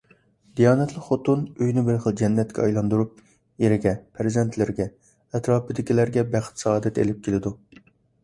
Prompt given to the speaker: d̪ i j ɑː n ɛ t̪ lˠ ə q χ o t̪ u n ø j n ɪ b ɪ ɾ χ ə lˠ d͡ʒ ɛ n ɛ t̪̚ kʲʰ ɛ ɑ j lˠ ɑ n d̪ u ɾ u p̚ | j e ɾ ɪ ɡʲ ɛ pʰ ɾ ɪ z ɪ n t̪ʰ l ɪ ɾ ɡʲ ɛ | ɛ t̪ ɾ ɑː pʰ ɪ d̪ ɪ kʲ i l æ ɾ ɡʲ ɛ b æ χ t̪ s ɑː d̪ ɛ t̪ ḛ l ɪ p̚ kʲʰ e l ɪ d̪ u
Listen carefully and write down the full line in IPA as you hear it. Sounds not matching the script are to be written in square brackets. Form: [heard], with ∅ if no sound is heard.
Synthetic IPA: d̪ i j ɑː n ɛ t̪ lˠ ə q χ o t̪ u n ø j n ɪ b ɪ ɾ χ ə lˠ d͡ʒ ɛ [nː] ɛ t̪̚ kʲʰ ɛ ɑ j lˠ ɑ n d̪ u ɾ u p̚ | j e ɾ ɪ ɡʲ ɛ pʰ ɾ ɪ z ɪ n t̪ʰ l ɪ ɾ ɡʲ ɛ | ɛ t̪ ɾ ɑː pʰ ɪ d̪ ɪ kʲ i l æ ɾ ɡʲ ɛ b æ χ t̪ s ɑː d̪ ɛ t̪ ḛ l ɪ p̚ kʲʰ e l ɪ d̪ u